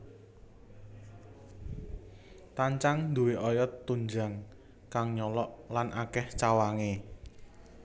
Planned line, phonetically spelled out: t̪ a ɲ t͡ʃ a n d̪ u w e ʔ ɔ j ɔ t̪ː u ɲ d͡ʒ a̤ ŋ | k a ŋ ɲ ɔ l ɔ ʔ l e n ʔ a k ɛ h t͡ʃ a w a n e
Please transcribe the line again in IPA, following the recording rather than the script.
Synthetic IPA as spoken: t̪ a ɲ t͡ʃ a ŋ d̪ u w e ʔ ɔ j ɔ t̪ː u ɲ d͡ʒ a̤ ŋ | k a ŋ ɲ ɔ l ɔ ʔ l a n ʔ a k ɛ h t͡ʃ a w a ŋ e

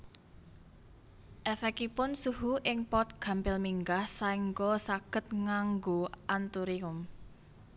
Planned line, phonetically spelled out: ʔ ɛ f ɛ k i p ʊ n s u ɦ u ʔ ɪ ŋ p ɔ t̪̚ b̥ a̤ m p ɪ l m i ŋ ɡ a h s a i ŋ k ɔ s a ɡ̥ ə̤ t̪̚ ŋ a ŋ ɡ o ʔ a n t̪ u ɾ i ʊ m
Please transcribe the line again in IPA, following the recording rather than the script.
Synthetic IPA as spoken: ʔ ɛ f ɛ k i p ʊ n s u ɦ u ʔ ɪ ŋ p ɔ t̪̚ ɡ̥ a̤ m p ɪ l m i ŋ ɡ a h s a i ŋ ɡ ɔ s a ɡ̥ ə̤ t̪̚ ŋ a ŋ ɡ o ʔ a n t̪ u ɾ i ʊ m

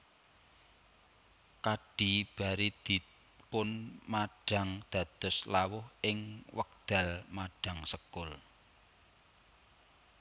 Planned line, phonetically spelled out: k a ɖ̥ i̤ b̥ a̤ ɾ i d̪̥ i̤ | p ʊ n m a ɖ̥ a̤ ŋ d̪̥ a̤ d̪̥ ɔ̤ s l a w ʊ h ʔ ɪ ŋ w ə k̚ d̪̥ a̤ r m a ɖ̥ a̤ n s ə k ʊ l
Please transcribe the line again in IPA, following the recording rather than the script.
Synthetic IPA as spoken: k a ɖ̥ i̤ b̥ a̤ ɾ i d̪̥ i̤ | p ʊ n m a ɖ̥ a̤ ŋ d̪̥ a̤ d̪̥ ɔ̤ s l a w ʊ h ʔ ɪ ŋ w ə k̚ d̪̥ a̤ l m a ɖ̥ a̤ ŋ s ə k ʊ l

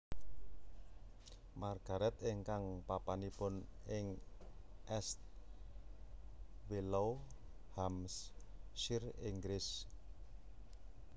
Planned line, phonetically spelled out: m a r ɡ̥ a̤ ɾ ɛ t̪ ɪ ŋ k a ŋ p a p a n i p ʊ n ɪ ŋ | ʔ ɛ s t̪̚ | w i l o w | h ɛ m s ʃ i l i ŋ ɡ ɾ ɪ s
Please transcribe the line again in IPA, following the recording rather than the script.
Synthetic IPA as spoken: m a r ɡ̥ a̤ ɾ ɛ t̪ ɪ ŋ k a ŋ p a p a n i p ʊ n ɪ ŋ | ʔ ɛ s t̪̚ | w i l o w | h a m s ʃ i r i ŋ ɡ ɾ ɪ s

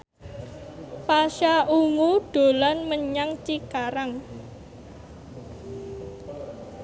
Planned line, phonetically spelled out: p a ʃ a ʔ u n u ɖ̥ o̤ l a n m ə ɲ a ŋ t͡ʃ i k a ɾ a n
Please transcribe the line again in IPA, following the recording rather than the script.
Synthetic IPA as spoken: p a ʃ a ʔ u ŋ u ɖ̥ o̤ l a n m ə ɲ a ŋ t͡ʃ i k a ɾ a ŋ

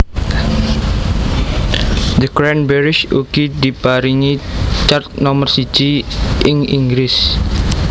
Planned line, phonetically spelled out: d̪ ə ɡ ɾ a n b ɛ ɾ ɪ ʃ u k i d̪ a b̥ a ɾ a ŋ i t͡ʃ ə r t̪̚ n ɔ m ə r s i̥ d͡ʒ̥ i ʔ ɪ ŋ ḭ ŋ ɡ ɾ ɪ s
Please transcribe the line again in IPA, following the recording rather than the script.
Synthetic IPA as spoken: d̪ ə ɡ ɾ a n b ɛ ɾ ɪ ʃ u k i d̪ i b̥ a ɾ i ŋ i t͡ʃ a r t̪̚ n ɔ m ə r s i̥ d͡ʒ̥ i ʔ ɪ ŋ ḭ ŋ ɡ ɾ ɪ s

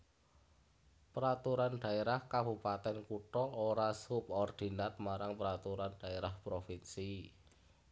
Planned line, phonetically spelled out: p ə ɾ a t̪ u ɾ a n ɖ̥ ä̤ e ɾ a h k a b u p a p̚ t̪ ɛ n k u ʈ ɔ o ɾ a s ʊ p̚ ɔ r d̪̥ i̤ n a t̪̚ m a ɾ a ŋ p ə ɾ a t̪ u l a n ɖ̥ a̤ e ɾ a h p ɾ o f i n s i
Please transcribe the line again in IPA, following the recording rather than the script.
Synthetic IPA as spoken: p ə ɾ a t̪ u ɾ a n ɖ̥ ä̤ e ɾ a h k a b u p a t̪ ɛ n k u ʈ ɔ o ɾ a s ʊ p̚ ɔ r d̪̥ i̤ n a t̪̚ m a ɾ a ŋ p ə ɾ a t̪ u ɾ a n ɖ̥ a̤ e ɾ a h p ɾ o f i n s i

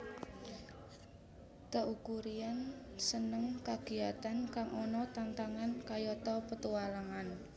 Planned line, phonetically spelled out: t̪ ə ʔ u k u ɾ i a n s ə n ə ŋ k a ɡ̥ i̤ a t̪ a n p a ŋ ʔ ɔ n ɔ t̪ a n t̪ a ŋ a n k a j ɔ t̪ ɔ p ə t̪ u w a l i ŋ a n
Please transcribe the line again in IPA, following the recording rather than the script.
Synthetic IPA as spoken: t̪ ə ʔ u k u ɾ i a n s ə n ə ŋ k a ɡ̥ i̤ a t̪ a n k a ŋ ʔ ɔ n ɔ t̪ a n t̪ a ŋ a n k a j ɔ t̪ ɔ p ə t̪ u w a l a ŋ a n

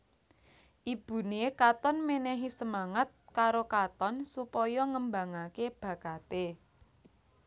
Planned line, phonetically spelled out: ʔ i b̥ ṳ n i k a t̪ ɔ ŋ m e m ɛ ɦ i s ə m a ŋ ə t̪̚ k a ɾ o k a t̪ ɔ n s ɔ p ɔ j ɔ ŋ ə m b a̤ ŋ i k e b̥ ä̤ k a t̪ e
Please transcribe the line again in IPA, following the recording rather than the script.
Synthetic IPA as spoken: ʔ i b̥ ṳ n e k a t̪ ɔ n m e n ɛ ɦ i s ə m a ŋ ə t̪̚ k a ɾ o k a t̪ ɔ n s u p ɔ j ɔ ŋ ə m b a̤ ŋ a k e b̥ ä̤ k a t̪ e

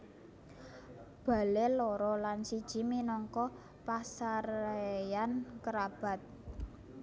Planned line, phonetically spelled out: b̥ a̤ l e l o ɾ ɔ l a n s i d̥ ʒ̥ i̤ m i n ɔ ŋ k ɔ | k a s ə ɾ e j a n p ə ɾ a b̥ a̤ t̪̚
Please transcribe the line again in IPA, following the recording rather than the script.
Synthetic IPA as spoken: b̥ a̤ l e l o ɾ ɔ l a n s i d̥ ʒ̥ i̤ m i n ɔ ŋ k ɔ | p a s a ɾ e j a n k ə ɾ a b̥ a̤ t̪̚

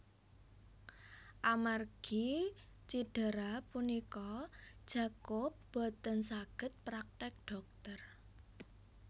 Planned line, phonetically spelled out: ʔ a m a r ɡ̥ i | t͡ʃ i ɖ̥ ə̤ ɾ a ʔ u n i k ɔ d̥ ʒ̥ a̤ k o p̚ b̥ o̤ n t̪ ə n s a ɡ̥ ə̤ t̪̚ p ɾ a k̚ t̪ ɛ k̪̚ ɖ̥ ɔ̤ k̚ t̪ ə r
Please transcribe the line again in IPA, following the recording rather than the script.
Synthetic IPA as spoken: ʔ a m a r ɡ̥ i | t͡ʃ i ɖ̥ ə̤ ɾ a p u n i k ɔ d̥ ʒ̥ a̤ k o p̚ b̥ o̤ t̪ ə n s a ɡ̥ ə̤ t̪̚ p ɾ a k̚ t̪ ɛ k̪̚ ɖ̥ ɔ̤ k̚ t̪ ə r

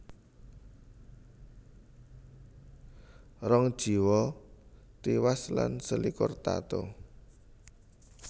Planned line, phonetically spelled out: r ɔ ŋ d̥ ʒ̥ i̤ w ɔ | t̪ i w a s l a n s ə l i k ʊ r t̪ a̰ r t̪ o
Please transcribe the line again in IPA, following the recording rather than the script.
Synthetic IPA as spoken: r ɔ ŋ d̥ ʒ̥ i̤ w ɔ | t̪ i w a s l a n s ə l i k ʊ r t̪ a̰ t̪ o

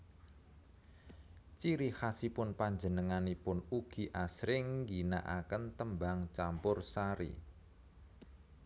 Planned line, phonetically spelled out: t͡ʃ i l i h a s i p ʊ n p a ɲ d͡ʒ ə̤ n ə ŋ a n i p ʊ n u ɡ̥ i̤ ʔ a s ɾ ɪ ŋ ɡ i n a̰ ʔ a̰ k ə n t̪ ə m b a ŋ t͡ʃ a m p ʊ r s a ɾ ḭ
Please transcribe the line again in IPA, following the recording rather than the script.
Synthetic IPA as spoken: t͡ʃ i ɾ i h a s i p ʊ n p a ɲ d͡ʒ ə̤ n ə ŋ a n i p ʊ n u ɡ̥ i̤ ʔ a s ɾ ɪ ŋ ɡ i n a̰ ʔ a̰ k ə n t̪ ə m b a ŋ t͡ʃ a m p ʊ r s a ɾ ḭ

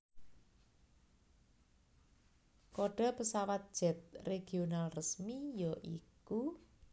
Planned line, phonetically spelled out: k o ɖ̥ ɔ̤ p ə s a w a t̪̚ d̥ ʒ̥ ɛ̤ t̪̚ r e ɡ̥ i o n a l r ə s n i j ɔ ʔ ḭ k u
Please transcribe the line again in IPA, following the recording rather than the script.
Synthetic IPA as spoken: k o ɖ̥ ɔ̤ p ə s a w a t̪̚ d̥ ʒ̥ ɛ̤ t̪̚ r e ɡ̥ i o n a l r ə s m i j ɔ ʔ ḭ k u

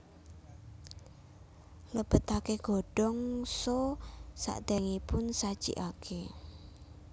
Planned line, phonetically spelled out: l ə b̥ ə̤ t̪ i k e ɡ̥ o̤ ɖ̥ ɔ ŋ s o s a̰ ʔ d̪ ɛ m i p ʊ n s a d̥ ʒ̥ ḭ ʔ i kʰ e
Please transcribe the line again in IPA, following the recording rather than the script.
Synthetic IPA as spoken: l ə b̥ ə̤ t̪ a k e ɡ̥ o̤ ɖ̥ ɔ ŋ s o s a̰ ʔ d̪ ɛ ŋ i p ʊ n s a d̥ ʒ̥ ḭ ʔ a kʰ e

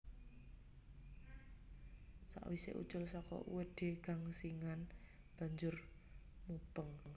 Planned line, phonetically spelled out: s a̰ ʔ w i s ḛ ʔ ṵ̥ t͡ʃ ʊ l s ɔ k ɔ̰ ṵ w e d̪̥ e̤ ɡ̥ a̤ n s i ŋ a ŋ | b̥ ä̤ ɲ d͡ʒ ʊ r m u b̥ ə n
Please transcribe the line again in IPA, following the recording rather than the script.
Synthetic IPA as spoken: s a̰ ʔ w i s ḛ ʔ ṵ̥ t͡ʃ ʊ l s ɔ k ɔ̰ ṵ w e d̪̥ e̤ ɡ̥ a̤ ŋ s i ŋ a n | b̥ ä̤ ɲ d͡ʒ ʊ r m u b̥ ə ŋ

